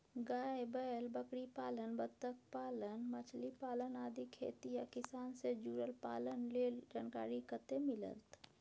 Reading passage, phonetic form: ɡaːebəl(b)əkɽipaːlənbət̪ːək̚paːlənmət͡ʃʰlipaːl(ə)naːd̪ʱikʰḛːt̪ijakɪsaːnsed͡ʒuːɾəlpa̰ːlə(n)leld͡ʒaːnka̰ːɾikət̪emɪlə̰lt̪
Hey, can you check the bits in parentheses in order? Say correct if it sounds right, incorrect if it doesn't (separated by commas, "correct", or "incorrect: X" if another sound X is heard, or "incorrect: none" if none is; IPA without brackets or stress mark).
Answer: correct, correct, correct